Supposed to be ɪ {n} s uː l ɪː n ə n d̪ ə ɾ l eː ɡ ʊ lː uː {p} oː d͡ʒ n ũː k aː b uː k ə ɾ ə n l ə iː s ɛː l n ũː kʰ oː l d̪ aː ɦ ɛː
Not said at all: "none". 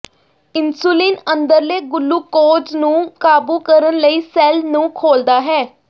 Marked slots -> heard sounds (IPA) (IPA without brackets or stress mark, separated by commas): n, k